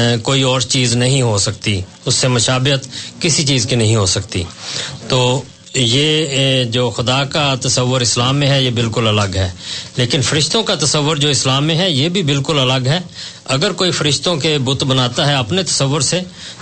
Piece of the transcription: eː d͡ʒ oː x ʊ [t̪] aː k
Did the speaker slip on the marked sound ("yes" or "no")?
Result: yes